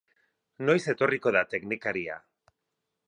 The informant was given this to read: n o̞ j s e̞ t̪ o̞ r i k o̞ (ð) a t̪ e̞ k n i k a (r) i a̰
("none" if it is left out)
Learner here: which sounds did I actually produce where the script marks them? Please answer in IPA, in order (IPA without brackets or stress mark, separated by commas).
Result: ð, ɾ